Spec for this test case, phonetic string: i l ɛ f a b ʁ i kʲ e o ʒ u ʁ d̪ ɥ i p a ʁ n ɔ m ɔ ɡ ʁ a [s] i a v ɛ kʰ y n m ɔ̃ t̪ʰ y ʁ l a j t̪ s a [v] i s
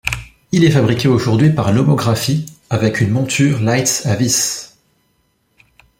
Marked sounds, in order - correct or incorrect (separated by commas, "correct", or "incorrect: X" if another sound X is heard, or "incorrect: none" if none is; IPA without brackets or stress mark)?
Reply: incorrect: f, correct